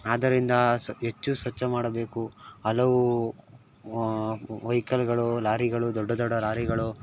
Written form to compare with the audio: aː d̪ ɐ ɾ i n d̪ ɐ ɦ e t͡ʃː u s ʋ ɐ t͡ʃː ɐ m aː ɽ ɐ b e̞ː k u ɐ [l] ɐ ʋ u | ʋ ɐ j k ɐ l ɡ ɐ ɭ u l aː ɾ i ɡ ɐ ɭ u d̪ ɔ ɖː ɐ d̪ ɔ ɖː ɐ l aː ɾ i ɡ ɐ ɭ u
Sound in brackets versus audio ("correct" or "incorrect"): correct